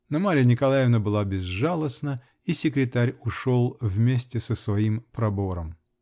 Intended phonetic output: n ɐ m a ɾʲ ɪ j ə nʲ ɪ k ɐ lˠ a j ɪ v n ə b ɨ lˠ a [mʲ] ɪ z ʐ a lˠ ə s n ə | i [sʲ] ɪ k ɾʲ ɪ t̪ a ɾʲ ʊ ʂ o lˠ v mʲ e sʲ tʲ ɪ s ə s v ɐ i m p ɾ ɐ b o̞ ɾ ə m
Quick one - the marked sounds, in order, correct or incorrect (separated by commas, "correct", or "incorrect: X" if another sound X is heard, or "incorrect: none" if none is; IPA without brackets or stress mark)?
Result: incorrect: bʲ, correct